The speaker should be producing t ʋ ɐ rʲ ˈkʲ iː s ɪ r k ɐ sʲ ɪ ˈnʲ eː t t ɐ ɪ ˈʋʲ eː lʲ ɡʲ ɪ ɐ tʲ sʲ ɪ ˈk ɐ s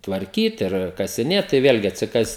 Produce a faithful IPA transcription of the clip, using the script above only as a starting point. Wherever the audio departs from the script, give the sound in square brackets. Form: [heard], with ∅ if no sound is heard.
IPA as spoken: t ʋ ɐ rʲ ˈkʲ iː [t] ɪ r k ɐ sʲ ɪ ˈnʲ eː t t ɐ ɪ ˈʋʲ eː lʲ ɡʲ ɪ ɐ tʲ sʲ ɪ ˈk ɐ s